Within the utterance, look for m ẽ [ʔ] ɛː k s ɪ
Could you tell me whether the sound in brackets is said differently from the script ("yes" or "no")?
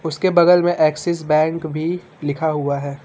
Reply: no